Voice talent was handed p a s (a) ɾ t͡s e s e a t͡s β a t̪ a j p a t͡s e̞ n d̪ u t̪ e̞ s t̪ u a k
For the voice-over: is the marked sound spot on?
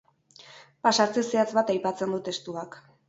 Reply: yes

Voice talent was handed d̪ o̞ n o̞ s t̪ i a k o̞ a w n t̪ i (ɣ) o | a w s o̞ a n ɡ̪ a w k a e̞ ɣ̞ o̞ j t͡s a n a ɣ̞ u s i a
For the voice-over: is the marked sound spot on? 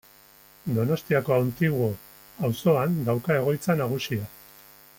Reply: yes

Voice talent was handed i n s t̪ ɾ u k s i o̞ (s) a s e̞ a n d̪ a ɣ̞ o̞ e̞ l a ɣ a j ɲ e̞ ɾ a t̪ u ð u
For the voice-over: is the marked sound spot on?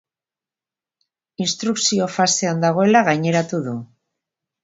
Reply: no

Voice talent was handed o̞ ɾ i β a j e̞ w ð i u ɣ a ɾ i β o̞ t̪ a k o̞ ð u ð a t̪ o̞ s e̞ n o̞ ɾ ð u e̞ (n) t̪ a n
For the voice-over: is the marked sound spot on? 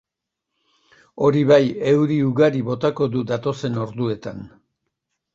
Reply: no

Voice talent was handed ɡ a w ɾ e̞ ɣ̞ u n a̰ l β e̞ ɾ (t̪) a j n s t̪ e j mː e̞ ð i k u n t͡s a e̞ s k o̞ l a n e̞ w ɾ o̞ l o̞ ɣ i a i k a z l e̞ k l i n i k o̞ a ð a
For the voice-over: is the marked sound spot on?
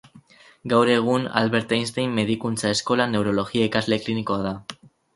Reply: yes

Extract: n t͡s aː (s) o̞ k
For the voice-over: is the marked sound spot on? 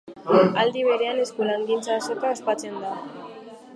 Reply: yes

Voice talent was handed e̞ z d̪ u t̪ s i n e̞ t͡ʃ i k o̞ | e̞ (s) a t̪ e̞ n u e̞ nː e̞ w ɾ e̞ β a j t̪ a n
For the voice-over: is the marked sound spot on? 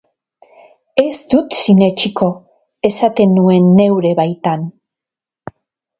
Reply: yes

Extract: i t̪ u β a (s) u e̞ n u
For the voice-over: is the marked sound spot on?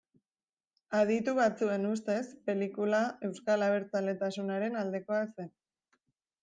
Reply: no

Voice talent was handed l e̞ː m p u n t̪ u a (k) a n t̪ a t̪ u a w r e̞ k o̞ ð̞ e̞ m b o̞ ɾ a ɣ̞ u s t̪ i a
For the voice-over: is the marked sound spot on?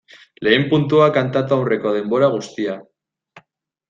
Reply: yes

